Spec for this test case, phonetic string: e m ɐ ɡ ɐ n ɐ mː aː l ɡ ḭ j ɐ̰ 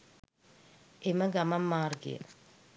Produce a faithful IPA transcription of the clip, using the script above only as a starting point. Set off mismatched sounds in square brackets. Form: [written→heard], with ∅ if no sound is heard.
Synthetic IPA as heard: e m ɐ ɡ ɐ [n→m] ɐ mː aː [l→r] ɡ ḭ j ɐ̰